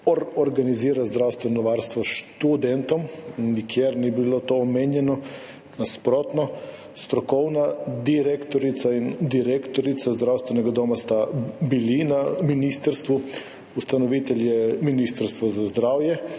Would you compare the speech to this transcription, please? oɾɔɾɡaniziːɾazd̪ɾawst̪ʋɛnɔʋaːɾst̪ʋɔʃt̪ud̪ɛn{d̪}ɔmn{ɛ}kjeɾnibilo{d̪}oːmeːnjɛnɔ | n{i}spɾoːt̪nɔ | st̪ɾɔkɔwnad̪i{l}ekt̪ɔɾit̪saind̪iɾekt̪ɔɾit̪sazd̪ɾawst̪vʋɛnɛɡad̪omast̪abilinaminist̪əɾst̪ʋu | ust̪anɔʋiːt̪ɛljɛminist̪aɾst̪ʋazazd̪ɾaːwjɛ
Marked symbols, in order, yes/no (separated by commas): no, no, no, no, no